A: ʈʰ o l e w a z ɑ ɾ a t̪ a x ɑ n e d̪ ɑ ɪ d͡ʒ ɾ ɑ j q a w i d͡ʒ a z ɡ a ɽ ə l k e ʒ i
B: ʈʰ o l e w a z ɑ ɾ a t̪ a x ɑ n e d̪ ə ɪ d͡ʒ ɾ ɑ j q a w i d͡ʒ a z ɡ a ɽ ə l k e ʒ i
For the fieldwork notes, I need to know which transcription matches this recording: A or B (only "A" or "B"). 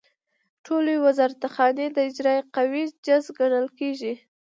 B